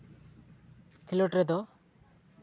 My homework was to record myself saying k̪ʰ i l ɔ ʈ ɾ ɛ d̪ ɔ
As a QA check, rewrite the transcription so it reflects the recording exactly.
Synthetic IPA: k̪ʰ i l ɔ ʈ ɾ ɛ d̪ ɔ